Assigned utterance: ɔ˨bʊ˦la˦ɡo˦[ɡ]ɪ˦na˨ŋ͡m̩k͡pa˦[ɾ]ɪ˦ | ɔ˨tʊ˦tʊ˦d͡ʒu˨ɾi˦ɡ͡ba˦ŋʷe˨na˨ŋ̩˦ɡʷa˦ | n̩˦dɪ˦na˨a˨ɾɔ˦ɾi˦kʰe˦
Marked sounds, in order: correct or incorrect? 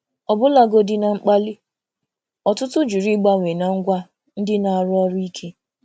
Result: incorrect: d, incorrect: l

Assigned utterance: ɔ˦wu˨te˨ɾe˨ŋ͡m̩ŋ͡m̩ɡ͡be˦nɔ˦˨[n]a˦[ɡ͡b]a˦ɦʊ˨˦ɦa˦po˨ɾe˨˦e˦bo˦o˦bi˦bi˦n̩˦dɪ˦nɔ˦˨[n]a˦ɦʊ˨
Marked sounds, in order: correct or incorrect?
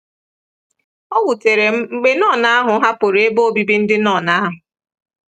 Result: correct, incorrect: none, correct

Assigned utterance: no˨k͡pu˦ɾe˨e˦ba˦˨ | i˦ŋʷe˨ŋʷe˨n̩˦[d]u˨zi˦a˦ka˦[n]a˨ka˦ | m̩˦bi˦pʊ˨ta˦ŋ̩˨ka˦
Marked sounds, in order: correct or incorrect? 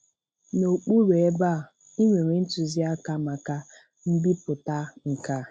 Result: incorrect: t, incorrect: m

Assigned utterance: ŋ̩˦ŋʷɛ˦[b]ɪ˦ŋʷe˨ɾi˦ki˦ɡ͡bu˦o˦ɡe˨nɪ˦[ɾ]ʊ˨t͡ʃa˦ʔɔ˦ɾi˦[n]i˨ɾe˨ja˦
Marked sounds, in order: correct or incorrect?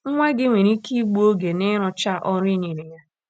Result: incorrect: ɡ, correct, correct

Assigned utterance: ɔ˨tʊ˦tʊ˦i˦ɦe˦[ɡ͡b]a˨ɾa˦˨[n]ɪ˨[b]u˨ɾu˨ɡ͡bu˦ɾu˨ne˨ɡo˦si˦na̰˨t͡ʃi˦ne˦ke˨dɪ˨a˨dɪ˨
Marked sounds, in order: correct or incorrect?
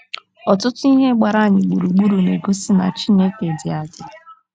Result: correct, incorrect: ɲ, incorrect: ɡ͡b

